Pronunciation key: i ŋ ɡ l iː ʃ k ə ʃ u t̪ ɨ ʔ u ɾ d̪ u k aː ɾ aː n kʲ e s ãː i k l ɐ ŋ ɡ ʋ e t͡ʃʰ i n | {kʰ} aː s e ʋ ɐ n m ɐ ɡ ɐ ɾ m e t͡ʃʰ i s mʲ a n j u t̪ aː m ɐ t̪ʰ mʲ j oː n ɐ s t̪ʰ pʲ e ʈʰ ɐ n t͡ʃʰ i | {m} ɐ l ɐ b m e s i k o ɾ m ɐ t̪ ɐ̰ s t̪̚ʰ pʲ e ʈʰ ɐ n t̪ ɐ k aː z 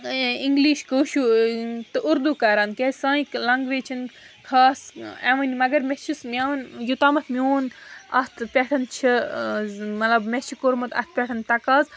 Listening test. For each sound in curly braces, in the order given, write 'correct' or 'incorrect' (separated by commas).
correct, correct